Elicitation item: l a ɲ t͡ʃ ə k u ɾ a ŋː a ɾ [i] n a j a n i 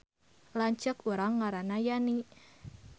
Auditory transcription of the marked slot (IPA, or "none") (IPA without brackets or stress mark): a